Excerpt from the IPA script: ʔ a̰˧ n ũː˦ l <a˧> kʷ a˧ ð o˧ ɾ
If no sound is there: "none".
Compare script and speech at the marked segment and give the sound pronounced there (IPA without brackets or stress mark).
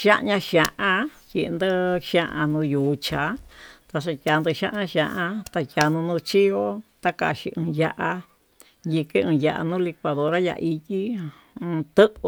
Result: i˧